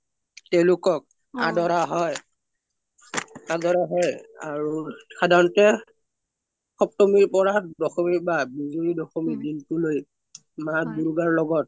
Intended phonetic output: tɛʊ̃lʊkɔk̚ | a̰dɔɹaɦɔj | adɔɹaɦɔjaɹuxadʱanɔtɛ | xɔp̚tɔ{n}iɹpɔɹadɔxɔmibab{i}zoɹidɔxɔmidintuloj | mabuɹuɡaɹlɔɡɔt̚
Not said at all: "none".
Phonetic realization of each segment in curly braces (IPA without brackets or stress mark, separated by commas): m, i